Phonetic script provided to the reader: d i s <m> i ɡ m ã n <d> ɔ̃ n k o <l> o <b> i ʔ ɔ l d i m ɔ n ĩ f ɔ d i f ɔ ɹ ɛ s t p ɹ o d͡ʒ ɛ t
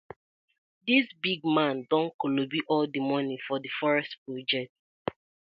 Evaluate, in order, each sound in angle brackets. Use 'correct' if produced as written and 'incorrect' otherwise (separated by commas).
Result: incorrect, correct, correct, correct